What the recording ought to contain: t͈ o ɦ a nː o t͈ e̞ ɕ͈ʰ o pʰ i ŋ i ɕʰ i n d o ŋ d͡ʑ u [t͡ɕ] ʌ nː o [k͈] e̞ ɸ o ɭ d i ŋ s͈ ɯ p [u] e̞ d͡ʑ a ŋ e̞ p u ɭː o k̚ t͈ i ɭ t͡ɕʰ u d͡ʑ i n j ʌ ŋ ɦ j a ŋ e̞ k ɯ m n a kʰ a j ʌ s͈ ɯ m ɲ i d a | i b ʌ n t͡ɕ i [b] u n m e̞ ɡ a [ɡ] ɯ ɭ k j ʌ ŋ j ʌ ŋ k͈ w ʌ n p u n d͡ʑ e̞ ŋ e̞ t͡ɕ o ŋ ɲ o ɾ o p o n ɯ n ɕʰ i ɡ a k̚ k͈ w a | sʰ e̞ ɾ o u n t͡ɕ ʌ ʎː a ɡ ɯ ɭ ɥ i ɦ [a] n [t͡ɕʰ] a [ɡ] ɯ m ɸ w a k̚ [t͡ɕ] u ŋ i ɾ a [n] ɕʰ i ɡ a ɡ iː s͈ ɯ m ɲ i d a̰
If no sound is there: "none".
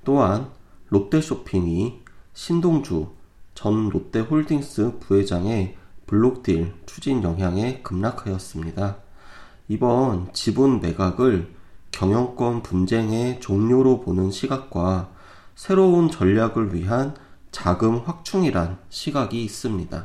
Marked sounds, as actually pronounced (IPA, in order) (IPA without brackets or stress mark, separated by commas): t͡ɕ, t͈, u, b, ɡ, a, t͡ɕ, ɡ, t͡ɕʰ, n